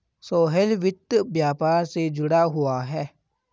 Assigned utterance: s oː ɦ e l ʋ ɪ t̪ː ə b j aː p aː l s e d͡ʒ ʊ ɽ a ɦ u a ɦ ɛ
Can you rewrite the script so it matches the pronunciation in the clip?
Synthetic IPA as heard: s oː ɦ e l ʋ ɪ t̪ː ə b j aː p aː ɾ s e d͡ʒ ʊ ɽ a ɦ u a ɦ ɛ